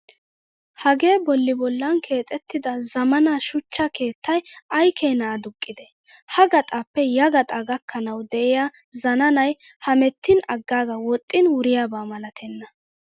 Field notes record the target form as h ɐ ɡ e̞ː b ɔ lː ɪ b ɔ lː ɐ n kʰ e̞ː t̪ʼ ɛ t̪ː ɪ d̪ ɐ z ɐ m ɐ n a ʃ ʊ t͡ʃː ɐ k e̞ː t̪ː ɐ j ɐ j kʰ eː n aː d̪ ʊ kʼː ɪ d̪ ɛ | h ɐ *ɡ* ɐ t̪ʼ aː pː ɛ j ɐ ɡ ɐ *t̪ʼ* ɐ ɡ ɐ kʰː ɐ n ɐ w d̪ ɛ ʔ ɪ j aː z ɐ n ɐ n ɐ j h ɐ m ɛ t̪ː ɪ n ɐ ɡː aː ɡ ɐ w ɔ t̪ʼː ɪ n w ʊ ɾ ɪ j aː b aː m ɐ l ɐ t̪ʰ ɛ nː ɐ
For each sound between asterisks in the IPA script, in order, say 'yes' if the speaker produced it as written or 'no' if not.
yes, yes

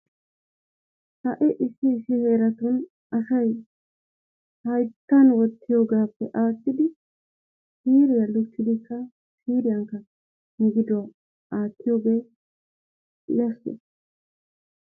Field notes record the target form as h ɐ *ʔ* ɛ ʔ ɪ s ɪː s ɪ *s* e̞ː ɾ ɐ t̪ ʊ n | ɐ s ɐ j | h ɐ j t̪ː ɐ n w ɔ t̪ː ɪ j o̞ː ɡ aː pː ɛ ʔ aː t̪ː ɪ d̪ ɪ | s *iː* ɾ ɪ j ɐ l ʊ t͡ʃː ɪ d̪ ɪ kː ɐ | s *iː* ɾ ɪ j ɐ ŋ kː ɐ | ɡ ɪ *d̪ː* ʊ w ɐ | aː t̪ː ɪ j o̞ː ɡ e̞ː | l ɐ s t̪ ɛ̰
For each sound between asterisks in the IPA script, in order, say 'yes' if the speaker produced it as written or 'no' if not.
yes, no, yes, yes, no

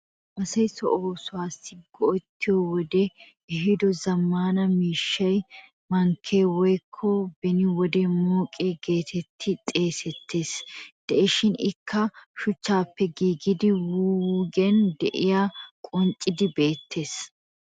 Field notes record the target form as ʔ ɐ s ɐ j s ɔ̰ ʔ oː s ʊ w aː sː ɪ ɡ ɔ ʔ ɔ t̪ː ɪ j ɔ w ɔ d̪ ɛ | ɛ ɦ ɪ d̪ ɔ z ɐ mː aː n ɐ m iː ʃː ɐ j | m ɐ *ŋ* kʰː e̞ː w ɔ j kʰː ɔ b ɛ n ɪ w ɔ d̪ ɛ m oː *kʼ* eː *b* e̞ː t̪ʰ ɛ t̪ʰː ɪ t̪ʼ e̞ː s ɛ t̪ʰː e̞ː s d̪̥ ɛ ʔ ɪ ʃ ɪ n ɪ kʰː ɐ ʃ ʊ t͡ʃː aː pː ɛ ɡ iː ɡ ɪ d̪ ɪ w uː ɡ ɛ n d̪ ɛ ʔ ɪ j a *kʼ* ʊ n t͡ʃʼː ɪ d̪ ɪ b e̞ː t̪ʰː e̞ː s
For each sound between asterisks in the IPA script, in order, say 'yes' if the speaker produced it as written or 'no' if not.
yes, yes, no, yes

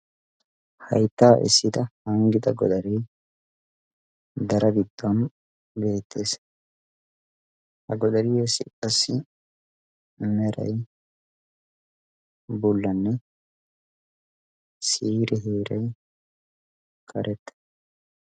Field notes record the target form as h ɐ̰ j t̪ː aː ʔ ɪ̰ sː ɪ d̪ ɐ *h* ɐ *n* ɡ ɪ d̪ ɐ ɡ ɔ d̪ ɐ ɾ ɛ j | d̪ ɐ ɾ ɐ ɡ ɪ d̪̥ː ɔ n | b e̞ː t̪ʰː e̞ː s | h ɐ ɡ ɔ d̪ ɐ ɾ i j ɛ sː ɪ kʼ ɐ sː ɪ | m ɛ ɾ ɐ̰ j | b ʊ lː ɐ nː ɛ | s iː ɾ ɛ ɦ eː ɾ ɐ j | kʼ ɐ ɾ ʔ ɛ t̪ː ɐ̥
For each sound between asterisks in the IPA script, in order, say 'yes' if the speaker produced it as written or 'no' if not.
yes, no

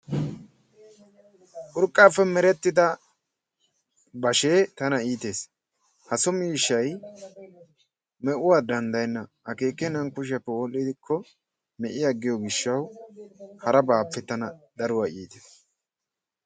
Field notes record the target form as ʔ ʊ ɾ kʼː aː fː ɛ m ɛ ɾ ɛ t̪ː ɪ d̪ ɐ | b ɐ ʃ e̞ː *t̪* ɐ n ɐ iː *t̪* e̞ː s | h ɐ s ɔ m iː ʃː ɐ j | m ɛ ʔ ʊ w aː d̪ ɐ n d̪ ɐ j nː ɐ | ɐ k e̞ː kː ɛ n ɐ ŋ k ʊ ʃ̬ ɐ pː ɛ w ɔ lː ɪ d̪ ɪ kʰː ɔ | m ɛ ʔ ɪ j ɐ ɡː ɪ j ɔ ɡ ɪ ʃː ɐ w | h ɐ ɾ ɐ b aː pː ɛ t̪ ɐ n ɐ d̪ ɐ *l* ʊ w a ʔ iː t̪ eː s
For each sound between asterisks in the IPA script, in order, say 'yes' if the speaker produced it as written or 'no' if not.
yes, yes, no

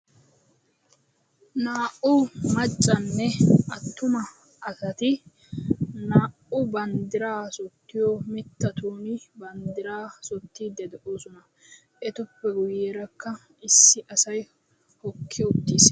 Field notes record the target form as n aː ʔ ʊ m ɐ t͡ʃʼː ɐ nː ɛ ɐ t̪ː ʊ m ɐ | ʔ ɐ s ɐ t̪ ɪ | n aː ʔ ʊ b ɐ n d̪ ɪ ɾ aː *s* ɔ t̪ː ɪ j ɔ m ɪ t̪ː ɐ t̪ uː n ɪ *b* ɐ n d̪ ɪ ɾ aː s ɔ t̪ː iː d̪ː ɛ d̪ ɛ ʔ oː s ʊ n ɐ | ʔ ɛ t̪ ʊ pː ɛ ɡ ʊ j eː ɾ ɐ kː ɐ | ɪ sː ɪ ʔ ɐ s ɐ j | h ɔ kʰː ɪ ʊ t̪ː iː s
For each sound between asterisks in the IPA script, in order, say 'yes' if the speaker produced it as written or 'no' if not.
yes, yes

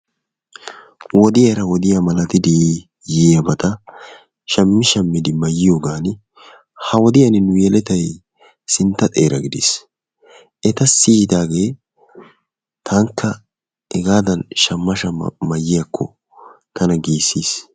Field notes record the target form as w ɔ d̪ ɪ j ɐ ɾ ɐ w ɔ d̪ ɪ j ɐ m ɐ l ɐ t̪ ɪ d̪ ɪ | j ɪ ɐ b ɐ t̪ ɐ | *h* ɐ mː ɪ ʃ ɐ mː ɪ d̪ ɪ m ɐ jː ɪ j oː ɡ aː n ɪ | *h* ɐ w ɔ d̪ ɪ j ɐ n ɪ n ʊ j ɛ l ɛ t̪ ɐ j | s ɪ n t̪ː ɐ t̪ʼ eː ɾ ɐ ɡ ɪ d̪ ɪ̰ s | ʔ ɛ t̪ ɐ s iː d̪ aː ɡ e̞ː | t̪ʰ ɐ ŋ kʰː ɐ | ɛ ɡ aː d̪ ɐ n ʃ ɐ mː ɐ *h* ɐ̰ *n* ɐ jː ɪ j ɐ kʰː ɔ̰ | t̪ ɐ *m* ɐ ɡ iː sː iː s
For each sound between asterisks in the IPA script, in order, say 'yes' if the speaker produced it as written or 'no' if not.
no, yes, no, no, no

